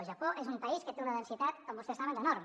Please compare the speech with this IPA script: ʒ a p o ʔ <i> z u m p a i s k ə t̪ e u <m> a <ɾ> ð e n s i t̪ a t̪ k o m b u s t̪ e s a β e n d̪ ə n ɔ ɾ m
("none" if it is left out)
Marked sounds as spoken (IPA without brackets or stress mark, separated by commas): e, n, none